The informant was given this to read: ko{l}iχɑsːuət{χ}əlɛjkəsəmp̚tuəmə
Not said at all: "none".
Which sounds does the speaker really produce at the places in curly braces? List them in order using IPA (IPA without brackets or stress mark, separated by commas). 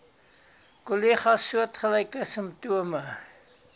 l, χ